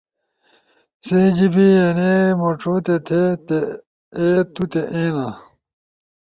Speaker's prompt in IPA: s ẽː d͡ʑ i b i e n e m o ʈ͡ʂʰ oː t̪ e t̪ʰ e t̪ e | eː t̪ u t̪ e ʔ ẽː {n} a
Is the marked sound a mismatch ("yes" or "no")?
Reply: no